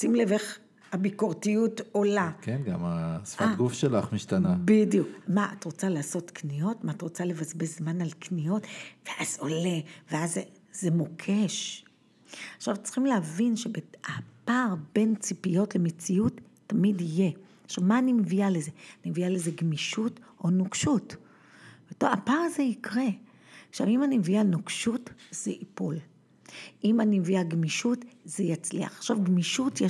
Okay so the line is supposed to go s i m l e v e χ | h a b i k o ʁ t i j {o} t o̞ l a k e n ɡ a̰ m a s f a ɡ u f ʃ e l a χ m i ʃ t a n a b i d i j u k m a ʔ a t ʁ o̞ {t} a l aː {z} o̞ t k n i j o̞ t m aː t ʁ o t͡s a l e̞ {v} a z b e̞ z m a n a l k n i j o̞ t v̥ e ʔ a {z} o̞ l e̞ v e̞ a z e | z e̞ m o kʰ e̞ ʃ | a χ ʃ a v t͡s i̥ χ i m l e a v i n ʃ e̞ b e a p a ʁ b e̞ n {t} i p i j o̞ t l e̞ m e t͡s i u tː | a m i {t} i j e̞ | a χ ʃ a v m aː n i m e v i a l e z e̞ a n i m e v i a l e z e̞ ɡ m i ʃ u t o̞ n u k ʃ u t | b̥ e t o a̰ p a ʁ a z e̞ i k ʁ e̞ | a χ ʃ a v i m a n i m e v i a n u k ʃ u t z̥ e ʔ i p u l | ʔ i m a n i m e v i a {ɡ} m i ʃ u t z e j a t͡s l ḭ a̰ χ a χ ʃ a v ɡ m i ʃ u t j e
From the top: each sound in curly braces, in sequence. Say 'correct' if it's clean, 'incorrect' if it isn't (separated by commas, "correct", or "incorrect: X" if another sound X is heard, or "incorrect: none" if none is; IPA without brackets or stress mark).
incorrect: u, incorrect: t͡s, incorrect: s, correct, correct, incorrect: t͡s, incorrect: d, correct